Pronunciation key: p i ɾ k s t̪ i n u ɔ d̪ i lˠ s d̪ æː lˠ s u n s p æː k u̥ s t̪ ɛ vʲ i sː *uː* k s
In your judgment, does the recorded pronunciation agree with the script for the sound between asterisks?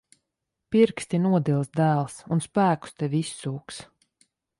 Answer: yes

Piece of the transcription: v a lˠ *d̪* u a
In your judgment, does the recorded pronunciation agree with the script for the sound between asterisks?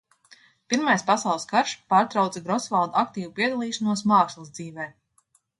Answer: yes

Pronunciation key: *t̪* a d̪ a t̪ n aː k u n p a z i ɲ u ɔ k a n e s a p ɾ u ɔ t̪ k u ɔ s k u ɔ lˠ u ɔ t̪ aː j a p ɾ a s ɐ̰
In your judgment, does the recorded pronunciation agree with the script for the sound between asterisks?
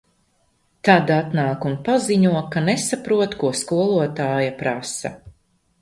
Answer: yes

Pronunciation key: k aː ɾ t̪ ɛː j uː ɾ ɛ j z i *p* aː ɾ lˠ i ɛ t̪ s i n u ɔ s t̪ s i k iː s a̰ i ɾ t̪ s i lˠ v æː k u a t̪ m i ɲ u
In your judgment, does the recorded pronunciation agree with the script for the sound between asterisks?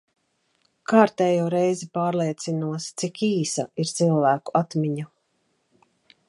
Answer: yes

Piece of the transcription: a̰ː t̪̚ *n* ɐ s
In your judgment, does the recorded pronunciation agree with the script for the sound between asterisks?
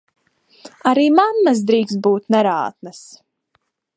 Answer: yes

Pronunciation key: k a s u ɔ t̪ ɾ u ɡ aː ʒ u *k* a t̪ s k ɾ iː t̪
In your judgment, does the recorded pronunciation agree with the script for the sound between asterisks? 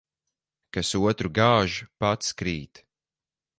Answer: no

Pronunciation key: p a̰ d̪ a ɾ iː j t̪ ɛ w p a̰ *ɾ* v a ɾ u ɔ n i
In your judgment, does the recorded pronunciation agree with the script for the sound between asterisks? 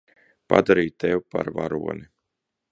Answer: yes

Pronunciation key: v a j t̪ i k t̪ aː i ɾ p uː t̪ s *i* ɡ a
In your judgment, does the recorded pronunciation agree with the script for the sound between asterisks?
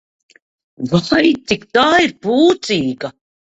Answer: no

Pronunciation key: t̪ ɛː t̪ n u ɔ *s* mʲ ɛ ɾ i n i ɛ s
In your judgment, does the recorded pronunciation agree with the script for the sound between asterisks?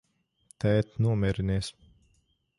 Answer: no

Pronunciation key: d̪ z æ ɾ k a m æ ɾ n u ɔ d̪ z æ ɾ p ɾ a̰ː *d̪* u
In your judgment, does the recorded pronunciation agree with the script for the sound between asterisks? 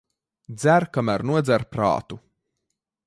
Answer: no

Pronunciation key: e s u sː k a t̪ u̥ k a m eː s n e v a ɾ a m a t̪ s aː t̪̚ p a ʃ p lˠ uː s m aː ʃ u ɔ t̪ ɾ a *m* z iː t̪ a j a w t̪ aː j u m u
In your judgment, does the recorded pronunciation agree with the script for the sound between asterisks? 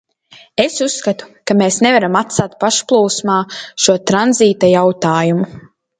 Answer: no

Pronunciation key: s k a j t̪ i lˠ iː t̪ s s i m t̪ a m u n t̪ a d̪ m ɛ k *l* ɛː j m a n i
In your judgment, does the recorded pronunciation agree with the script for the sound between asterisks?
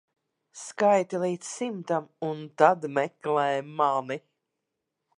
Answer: yes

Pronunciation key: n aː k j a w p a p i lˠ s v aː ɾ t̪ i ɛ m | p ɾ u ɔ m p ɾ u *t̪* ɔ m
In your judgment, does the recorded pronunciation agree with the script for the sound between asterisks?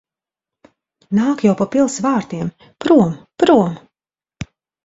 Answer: no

